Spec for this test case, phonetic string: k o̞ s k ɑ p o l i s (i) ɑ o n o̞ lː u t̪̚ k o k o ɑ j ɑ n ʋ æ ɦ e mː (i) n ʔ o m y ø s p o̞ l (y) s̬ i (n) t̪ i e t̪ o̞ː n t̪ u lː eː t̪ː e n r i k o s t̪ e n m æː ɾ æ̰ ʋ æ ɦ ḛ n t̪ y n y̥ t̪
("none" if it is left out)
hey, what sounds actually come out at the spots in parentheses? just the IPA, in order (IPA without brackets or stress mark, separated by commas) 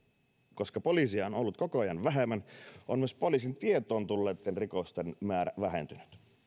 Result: i, æ, i, n